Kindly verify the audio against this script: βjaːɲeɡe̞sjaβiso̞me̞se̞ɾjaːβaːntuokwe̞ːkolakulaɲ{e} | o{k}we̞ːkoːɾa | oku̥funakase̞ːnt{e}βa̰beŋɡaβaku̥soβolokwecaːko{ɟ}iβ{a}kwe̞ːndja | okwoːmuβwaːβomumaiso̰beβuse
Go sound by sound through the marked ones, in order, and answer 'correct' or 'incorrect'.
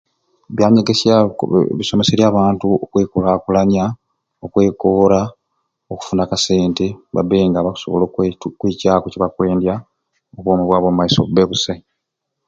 incorrect: a, correct, correct, incorrect: c, correct

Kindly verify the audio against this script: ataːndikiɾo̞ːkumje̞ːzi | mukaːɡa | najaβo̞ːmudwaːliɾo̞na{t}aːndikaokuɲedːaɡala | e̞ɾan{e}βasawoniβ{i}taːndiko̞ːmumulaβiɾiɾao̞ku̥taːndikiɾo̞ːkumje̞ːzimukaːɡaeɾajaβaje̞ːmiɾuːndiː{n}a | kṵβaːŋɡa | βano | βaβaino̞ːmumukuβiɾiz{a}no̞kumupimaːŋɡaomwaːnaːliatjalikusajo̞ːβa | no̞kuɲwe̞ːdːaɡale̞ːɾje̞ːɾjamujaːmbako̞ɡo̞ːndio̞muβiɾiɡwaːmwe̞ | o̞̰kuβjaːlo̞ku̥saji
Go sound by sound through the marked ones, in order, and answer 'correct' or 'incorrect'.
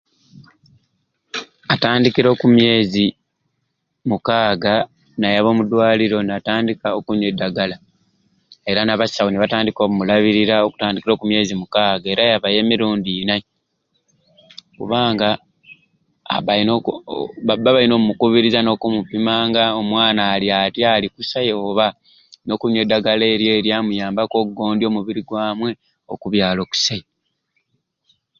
correct, incorrect: a, incorrect: a, correct, correct

